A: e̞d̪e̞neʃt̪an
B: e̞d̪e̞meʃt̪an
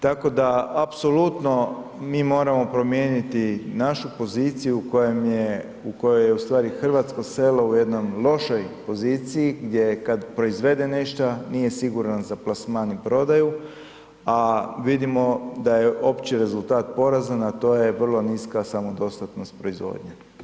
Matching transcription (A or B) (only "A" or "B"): A